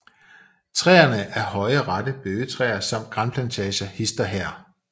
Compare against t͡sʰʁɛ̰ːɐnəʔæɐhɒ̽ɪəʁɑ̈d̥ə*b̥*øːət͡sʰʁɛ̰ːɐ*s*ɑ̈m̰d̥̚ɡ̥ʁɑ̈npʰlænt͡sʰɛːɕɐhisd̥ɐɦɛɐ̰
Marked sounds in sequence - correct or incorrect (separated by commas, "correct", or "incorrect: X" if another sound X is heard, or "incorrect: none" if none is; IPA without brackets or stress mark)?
correct, correct